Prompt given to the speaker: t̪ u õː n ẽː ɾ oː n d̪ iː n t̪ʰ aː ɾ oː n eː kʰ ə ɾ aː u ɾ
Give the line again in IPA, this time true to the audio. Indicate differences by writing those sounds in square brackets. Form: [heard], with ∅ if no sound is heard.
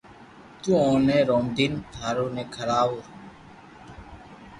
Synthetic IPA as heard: t̪ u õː n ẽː ɾ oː [m] d̪ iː n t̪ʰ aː ɾ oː n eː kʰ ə ɾ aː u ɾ